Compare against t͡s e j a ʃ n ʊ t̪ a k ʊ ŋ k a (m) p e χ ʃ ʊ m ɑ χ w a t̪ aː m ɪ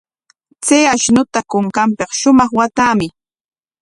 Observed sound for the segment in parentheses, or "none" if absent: m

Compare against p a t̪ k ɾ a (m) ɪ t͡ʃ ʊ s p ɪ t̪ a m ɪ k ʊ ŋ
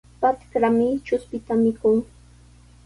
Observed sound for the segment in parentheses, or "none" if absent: m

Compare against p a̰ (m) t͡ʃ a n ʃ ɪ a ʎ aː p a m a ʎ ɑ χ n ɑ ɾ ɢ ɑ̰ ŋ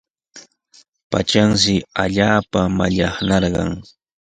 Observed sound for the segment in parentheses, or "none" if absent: none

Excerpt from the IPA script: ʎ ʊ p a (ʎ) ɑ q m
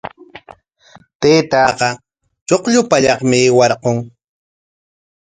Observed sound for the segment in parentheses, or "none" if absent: ʎ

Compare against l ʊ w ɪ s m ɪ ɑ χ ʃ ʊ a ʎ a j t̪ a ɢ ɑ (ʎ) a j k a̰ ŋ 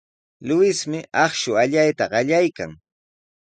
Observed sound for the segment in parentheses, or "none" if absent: ʎ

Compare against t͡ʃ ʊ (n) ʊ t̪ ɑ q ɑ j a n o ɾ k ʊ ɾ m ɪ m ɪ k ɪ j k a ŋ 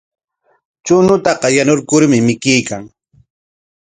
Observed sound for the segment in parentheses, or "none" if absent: n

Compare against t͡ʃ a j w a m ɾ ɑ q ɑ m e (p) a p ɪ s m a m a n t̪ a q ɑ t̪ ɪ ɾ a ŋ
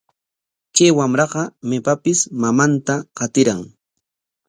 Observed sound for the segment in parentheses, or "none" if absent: p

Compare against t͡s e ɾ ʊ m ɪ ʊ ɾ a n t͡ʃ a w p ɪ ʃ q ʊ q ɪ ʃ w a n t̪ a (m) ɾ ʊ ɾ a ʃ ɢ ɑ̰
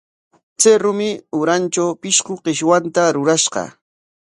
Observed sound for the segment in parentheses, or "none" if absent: none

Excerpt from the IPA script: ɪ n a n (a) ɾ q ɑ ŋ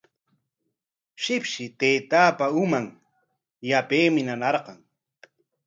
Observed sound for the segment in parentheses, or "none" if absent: ɑ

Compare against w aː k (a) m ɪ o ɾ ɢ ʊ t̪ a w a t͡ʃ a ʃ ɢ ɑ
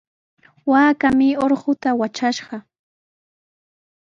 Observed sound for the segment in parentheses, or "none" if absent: a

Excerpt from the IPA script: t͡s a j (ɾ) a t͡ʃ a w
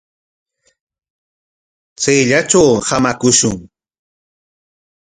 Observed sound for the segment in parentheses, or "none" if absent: ʎ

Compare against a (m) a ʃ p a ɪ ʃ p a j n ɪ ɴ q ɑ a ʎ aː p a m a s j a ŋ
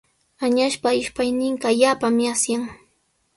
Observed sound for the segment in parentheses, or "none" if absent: ɲ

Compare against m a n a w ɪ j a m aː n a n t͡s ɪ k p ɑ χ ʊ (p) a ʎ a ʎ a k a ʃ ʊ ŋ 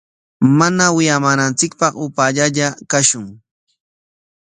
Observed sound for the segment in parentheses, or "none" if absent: p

